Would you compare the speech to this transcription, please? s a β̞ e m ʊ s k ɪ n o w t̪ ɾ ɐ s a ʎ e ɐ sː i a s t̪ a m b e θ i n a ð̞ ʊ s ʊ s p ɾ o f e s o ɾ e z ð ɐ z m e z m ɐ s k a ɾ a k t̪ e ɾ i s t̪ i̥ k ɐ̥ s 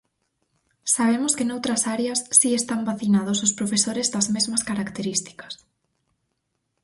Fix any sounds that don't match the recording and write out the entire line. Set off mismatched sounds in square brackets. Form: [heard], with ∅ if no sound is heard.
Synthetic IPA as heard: s a β̞ e m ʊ s k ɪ n o w t̪ ɾ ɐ s a [ɾ] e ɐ sː i [e] s t̪ a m b [a] θ i n a ð̞ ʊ s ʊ s p ɾ o f e s o ɾ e z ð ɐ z m e z m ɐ s k a ɾ a k t̪ e ɾ i s t̪ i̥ k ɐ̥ s